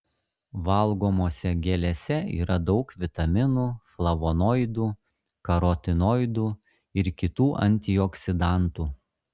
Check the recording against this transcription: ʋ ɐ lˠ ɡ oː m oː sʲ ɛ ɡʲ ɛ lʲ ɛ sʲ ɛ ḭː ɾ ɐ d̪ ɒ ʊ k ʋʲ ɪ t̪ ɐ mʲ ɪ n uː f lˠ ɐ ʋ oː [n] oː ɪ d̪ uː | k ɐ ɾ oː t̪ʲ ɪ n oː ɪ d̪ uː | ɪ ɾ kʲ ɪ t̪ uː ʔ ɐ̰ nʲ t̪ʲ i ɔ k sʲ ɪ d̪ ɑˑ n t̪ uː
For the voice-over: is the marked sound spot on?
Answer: yes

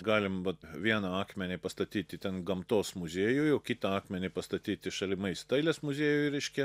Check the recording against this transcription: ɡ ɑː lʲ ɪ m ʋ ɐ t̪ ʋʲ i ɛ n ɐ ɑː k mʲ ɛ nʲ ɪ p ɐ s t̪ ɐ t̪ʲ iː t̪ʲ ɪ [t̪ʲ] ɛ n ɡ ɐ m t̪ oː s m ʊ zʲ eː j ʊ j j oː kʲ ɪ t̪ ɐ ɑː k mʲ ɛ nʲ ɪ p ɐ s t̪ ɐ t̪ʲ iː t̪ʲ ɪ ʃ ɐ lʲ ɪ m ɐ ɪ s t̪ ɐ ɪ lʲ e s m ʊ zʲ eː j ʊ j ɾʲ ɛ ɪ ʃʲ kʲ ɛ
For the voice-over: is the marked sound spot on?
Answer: yes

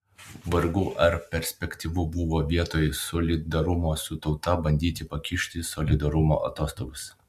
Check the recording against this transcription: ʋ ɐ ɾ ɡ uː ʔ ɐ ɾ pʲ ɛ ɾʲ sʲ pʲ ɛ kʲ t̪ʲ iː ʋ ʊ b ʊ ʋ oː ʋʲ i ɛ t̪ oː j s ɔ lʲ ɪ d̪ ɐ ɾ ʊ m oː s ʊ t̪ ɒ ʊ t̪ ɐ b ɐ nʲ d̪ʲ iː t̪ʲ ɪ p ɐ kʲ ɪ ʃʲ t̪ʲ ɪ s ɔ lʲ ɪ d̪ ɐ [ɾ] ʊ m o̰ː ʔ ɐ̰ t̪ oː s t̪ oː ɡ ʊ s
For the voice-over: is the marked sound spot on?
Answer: yes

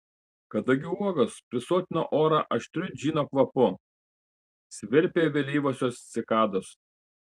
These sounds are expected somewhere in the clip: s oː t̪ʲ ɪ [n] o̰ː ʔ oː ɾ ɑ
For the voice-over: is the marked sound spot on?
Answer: yes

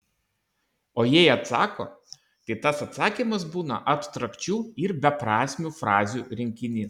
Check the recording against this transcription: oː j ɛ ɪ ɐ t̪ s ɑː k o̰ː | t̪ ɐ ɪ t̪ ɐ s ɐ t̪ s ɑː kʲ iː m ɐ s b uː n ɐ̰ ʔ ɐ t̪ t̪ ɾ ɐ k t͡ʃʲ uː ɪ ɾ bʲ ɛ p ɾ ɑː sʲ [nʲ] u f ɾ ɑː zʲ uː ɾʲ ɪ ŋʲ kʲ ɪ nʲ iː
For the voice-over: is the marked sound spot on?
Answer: no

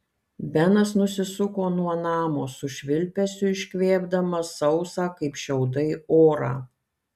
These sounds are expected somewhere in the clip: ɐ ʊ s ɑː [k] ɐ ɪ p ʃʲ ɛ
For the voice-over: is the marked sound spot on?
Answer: yes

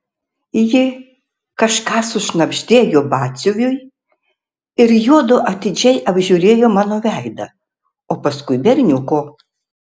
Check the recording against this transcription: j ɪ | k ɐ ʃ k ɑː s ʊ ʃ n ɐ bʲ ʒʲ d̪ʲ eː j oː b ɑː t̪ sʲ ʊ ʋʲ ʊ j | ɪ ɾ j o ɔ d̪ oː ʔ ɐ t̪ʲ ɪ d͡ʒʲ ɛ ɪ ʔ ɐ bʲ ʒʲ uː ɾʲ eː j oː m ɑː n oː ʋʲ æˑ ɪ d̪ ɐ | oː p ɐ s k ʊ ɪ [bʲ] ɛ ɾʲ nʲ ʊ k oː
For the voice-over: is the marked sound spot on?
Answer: yes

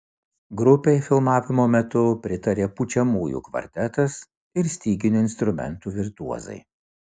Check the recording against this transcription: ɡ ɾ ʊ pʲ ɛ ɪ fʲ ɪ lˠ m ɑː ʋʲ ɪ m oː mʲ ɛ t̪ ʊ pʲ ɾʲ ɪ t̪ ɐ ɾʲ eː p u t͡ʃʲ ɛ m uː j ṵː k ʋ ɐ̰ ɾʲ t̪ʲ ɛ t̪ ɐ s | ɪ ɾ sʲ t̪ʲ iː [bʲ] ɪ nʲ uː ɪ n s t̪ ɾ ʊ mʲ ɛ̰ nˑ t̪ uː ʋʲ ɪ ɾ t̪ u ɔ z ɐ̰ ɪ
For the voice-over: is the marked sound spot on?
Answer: no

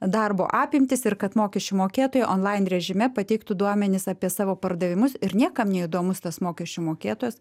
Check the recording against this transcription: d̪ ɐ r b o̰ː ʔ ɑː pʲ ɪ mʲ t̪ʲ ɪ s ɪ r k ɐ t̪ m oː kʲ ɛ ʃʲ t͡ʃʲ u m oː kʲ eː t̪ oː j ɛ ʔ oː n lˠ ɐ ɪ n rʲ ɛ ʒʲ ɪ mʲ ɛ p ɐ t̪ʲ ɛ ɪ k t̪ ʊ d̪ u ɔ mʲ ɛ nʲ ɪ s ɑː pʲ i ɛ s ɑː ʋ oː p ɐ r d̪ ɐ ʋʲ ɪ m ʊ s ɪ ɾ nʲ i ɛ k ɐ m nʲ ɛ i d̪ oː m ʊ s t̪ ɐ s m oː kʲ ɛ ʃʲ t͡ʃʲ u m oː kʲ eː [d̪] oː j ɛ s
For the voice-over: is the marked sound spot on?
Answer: no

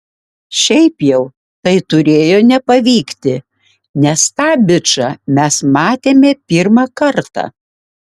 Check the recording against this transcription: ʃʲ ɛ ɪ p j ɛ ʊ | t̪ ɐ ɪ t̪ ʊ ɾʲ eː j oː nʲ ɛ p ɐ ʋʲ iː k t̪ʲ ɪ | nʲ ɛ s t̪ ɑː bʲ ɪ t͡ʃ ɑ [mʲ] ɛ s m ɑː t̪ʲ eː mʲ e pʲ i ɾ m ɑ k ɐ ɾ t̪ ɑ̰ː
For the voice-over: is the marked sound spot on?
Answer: yes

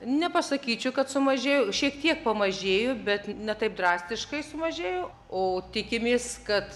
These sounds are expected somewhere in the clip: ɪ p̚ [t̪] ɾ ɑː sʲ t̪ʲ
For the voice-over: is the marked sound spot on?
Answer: no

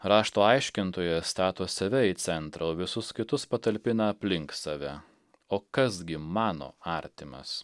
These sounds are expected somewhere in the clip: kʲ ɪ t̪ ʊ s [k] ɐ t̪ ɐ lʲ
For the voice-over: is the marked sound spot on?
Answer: no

